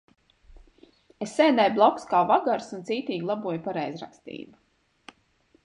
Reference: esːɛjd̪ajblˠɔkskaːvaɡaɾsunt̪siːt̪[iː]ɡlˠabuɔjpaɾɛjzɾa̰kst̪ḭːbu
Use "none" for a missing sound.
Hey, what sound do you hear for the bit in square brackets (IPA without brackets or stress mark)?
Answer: iː